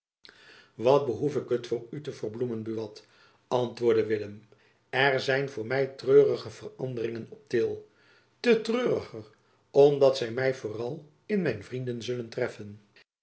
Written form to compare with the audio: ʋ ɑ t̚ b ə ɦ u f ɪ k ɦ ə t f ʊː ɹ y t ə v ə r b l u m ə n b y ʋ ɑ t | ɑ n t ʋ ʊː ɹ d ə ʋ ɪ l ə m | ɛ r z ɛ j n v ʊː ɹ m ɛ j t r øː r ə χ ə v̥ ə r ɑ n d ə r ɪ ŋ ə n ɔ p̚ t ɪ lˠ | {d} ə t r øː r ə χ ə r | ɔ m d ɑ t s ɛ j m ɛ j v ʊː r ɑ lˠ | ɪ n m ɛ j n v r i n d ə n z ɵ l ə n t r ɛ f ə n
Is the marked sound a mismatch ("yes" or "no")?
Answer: yes